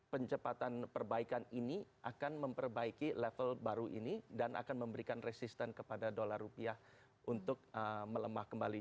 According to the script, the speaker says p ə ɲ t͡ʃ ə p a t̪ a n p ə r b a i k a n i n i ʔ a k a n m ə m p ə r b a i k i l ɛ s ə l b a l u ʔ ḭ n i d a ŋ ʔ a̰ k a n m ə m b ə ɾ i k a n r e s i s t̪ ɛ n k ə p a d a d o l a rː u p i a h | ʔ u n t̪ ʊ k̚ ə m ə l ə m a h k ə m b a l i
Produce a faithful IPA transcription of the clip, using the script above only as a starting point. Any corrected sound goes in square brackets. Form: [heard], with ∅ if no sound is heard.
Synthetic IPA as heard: p ə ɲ t͡ʃ ə p a t̪ a n p ə r b a i k a n i n i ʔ a k a n m ə m p ə r b a i k i l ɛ [f] ə l b a [ɾ] u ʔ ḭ n i d a [n] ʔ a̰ k a n m ə m b ə ɾ i k a n r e s i s t̪ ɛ n k ə p a d a d o l a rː u p i a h | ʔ u n t̪ ʊ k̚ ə m ə l ə m a h k ə m b a l i